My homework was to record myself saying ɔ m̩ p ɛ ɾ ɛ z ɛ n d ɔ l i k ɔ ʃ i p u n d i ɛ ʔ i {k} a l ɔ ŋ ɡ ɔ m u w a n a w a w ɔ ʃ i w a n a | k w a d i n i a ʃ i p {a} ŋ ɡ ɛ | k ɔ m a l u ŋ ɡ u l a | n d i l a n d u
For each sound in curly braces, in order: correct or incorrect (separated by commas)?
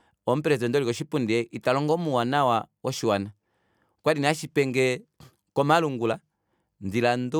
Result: incorrect, incorrect